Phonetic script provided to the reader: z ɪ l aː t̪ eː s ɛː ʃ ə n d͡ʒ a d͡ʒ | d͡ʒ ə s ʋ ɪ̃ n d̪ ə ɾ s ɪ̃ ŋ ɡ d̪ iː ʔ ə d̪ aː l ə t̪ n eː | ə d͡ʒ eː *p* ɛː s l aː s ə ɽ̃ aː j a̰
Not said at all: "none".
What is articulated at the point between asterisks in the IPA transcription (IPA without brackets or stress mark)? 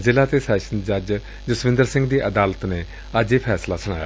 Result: pʰ